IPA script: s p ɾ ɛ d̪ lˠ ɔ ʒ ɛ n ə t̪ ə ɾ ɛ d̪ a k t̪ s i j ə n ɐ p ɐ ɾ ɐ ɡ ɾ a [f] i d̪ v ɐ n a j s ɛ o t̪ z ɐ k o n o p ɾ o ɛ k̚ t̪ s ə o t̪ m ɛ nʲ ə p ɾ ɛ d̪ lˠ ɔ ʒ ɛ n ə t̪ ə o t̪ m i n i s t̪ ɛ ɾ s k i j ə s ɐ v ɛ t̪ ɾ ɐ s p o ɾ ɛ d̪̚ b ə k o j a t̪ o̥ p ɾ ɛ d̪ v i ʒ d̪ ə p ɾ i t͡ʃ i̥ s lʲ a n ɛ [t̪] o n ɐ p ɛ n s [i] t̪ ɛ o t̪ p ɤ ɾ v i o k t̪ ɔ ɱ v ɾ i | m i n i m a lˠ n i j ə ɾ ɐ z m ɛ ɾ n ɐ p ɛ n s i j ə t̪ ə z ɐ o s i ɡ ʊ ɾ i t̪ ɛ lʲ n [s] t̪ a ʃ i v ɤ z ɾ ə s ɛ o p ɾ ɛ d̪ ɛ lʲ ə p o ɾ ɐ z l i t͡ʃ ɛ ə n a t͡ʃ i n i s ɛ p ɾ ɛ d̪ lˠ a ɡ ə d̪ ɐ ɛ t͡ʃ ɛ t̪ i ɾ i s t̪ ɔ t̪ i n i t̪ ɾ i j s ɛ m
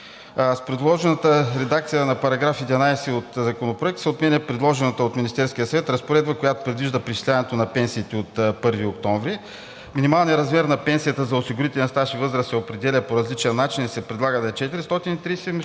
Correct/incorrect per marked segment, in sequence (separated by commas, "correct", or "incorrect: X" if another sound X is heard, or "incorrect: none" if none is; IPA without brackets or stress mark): correct, correct, incorrect: iː, correct